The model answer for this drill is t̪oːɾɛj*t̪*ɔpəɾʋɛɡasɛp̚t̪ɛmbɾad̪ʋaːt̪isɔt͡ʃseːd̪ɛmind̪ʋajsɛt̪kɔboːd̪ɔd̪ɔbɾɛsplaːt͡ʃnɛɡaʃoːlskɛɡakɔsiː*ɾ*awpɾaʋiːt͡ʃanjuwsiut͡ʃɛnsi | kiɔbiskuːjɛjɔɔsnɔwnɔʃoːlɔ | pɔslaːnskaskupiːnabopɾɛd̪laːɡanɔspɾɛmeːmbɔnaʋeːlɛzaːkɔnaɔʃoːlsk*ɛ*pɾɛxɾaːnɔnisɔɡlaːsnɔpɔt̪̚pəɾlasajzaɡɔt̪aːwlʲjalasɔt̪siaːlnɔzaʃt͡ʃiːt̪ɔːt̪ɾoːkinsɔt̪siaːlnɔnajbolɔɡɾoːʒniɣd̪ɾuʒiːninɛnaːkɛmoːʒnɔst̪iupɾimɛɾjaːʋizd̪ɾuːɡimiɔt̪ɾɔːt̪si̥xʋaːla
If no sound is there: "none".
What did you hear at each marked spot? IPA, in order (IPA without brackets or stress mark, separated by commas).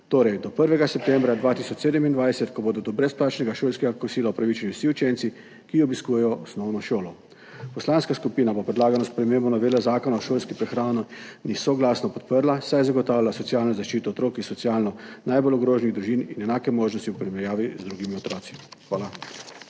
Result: d̪, l, i